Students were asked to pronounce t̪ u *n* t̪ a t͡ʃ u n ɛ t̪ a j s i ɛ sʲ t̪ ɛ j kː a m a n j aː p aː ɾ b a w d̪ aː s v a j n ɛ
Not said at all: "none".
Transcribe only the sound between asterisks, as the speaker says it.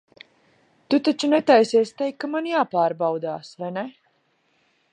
none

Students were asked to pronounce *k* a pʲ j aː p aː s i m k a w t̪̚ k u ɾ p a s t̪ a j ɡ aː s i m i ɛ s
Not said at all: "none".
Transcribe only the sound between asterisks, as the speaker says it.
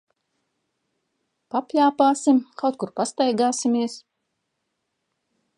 p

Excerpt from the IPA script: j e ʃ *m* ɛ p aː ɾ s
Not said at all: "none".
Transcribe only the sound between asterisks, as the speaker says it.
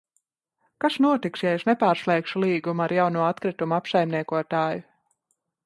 n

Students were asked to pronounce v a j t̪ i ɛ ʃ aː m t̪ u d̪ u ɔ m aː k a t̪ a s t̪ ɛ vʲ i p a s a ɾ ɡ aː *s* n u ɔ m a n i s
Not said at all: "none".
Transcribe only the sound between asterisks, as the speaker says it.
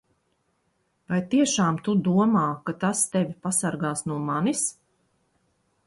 s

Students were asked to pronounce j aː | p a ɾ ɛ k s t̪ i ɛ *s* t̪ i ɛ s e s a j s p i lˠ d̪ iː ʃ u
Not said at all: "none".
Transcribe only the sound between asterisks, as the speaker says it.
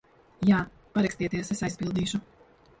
none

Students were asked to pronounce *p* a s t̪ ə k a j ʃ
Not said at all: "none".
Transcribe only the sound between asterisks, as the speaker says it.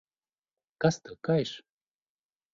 k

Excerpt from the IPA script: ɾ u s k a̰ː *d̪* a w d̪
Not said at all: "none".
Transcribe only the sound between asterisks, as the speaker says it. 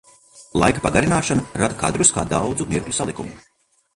d̪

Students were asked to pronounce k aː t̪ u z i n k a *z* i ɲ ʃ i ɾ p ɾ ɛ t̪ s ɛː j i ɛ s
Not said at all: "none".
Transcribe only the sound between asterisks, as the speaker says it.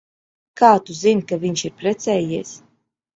v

